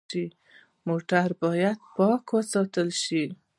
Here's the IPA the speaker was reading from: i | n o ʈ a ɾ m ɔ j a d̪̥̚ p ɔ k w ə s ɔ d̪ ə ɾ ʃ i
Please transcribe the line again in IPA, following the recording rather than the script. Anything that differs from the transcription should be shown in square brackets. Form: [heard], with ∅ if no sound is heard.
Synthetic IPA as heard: i | [m] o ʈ a ɾ [b] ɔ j a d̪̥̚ p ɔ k w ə s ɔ [t̪] ə [l] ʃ i